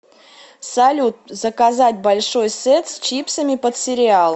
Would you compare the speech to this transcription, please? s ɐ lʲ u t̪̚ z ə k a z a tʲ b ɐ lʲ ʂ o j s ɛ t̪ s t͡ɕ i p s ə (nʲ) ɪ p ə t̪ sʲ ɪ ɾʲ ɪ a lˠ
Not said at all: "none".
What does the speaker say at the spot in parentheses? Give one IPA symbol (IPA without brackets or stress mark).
mʲ